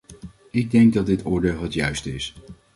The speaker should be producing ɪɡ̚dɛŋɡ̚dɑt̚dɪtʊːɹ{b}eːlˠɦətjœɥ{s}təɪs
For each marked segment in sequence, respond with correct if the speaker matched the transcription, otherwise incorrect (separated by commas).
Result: incorrect, correct